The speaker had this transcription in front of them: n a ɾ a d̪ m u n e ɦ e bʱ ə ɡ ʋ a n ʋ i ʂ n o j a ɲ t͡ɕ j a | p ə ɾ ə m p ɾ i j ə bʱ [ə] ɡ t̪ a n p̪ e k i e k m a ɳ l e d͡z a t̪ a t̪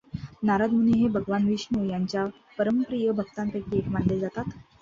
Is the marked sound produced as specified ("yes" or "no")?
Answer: yes